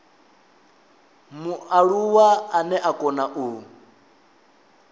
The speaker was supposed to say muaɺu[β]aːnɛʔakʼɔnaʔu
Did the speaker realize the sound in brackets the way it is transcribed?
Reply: no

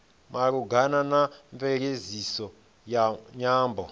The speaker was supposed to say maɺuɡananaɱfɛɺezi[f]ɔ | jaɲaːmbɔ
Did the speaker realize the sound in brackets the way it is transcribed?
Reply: no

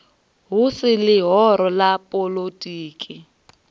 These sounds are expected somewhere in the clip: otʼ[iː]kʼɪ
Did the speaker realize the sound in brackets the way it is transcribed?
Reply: yes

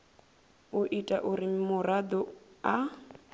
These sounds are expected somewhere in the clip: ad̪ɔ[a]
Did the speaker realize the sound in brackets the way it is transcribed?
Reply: yes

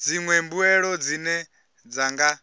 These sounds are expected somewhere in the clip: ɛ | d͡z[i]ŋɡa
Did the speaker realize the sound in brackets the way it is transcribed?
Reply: no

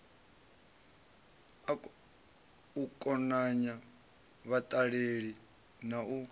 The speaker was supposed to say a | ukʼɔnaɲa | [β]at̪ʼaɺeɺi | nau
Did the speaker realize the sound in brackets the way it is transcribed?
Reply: yes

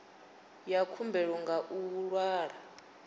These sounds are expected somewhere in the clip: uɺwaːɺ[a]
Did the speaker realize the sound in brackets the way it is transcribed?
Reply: yes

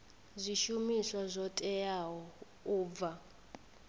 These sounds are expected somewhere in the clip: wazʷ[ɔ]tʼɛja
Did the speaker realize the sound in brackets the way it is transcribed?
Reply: yes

